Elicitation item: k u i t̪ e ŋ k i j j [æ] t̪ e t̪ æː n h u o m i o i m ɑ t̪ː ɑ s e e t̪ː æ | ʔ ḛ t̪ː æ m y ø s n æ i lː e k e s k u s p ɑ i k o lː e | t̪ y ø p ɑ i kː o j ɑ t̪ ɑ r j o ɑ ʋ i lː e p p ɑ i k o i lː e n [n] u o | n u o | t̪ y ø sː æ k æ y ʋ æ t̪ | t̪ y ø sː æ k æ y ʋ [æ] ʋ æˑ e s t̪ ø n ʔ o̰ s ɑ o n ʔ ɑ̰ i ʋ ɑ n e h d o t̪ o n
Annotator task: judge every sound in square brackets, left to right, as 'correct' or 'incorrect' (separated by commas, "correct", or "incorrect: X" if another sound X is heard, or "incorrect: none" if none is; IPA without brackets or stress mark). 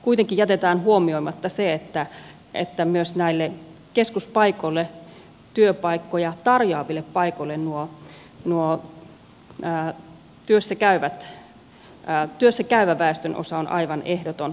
correct, correct, correct